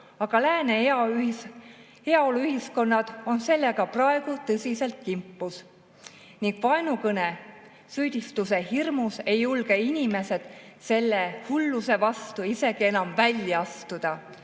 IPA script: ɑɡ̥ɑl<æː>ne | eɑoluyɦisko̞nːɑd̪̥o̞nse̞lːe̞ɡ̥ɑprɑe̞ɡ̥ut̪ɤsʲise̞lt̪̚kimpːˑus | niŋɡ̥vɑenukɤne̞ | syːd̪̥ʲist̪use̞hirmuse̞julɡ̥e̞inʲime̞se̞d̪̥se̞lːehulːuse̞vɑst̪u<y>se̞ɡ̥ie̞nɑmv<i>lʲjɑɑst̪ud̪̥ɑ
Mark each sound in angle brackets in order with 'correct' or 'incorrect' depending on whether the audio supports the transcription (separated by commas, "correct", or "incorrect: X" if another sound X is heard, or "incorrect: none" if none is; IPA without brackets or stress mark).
correct, incorrect: i, incorrect: æ